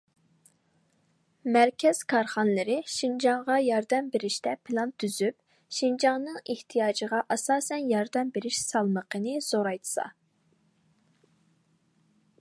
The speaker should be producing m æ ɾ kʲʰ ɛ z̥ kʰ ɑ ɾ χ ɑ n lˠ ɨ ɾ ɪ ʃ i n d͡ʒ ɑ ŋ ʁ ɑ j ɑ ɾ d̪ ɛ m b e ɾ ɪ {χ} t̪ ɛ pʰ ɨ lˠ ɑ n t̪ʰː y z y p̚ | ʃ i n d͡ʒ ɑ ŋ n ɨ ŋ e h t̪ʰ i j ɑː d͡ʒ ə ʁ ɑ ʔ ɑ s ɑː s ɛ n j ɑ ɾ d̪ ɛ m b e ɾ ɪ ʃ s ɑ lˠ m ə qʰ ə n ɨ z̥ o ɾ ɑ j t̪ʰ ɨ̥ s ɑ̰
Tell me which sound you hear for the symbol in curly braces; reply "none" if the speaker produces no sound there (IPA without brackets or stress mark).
ʃ